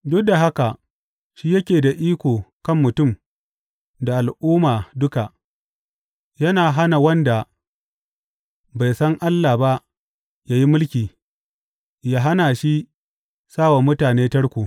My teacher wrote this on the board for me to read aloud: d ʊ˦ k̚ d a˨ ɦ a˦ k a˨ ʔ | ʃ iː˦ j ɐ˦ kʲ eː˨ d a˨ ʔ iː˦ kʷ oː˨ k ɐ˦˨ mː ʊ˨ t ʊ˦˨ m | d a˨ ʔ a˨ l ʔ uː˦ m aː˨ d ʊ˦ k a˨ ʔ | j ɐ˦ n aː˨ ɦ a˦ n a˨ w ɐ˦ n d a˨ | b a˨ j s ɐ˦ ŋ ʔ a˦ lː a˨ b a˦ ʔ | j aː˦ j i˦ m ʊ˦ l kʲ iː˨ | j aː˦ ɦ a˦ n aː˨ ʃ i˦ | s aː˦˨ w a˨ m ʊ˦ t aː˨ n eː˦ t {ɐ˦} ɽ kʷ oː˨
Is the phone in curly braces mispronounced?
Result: no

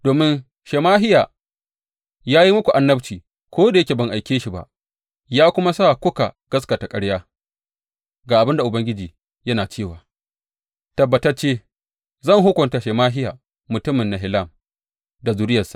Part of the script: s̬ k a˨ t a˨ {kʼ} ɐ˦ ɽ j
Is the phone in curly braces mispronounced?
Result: no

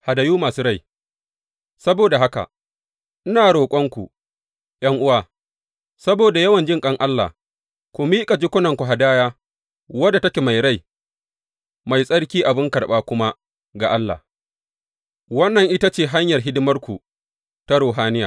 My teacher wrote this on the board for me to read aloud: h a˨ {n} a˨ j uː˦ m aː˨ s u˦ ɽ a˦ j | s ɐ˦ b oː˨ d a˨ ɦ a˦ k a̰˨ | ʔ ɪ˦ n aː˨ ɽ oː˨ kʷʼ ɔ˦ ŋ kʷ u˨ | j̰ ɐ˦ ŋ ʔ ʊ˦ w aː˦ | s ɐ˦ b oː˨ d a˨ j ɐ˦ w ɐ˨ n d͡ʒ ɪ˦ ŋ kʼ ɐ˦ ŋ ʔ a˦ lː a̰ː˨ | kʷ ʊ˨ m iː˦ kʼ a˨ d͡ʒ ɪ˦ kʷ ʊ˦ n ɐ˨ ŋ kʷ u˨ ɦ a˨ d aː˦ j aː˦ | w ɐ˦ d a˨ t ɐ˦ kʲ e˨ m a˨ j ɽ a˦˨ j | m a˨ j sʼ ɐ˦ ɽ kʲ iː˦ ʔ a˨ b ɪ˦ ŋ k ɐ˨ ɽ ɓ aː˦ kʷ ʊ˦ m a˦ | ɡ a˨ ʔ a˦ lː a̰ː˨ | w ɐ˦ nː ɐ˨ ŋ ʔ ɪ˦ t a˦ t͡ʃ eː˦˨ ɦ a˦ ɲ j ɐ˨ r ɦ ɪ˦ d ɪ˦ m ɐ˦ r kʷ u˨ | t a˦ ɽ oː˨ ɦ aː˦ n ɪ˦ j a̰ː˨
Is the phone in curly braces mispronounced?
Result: yes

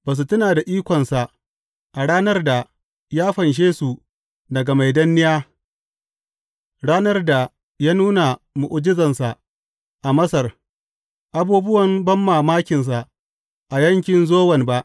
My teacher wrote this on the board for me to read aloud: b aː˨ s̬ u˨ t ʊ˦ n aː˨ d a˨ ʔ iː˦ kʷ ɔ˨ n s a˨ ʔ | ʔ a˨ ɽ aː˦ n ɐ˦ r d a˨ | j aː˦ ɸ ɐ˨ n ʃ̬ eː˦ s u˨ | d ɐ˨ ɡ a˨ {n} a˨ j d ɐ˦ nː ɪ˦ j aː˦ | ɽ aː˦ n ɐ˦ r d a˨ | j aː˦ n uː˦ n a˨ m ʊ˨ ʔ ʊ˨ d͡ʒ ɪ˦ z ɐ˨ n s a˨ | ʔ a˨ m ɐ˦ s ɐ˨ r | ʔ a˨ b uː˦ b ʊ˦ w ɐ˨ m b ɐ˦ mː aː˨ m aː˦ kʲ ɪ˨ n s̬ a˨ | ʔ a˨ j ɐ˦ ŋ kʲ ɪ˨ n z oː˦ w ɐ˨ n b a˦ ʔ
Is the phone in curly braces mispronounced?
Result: yes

